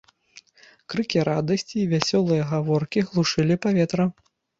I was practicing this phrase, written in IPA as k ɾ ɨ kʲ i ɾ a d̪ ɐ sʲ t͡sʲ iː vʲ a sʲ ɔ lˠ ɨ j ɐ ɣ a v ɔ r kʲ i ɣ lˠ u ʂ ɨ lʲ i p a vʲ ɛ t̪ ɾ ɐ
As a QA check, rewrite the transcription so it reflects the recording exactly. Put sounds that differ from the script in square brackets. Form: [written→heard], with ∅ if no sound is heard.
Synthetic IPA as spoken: k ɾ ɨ kʲ i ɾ a d̪ ɐ sʲ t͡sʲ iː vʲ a sʲ ɔ lˠ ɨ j ɐ ɣ a v ɔ r kʲ i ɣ lˠ u ʂ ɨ lʲ i p a vʲ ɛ t̪ ɾ ɐ